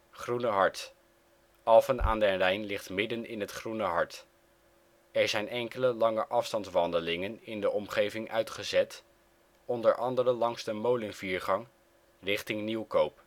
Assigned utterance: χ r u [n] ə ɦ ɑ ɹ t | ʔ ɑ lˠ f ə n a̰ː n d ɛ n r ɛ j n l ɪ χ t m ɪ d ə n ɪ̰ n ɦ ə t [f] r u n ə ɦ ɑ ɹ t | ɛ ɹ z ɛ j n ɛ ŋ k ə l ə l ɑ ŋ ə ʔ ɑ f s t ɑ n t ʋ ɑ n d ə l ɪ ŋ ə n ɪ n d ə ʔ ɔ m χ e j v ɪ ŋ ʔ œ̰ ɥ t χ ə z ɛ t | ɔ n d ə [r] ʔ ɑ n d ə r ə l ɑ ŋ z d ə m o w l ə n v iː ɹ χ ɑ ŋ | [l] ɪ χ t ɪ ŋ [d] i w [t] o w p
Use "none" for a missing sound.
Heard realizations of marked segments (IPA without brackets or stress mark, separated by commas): n, χ, ɹ, r, n, k